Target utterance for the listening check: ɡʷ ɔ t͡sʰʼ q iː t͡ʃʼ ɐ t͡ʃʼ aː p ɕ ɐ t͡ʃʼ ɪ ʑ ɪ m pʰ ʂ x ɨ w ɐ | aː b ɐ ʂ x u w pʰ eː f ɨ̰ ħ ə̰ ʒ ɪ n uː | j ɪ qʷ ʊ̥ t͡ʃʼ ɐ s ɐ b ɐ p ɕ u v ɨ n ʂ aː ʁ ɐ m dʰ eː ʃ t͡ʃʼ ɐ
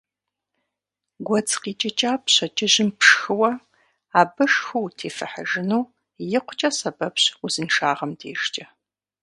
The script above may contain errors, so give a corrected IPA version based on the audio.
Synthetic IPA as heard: ɡʷ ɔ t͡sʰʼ q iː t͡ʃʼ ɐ t͡ʃʼ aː p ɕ ɐ t͡ʃʼ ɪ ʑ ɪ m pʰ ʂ x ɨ w ɐ | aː b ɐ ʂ x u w tʰ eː f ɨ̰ ħ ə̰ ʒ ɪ n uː | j ɪ qʷ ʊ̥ t͡ʃʼ ɐ s ɐ b ɐ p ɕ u z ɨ n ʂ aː ʁ ɐ m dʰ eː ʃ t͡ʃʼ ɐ